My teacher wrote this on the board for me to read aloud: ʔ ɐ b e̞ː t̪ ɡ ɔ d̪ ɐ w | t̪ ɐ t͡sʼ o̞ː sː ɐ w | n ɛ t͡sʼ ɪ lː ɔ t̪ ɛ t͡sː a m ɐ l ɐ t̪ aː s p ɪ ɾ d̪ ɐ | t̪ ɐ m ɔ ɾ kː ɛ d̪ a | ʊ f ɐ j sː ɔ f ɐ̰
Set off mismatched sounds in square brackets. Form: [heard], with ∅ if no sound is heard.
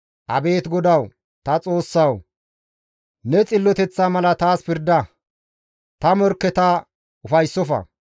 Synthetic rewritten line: ʔ ɐ b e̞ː t̪ ɡ ɔ d̪ ɐ w | t̪ ɐ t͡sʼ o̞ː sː ɐ w | n ɛ t͡sʼ ɪ lː ɔ t̪ ɛ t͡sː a m ɐ l ɐ t̪ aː s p ɪ ɾ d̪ ɐ | t̪ ɐ m ɔ ɾ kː ɛ [t̪] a | ʊ f ɐ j sː ɔ f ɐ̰